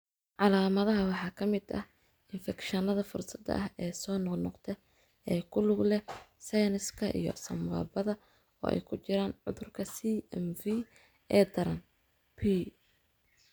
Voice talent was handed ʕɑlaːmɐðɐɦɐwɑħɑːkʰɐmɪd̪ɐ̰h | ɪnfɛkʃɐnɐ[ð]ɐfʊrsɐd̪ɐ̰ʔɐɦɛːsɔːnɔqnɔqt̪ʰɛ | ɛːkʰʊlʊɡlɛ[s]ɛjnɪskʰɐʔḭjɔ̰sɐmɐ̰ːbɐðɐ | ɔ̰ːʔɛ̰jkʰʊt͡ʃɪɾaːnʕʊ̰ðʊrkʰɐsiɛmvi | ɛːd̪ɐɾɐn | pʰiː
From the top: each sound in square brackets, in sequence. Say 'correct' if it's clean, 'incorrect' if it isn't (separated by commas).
correct, correct